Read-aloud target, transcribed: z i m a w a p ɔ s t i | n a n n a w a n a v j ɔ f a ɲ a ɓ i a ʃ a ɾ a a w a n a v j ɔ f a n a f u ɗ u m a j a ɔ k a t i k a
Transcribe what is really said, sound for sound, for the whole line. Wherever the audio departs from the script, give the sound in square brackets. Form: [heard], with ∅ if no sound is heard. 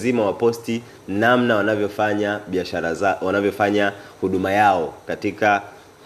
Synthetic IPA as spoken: z i m a w a p ɔ s t i | n a [m] n a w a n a v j ɔ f a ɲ a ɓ i a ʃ a ɾ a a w a n a v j ɔ f a [ɲ] a [h] u ɗ u m a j a ɔ k a t i k a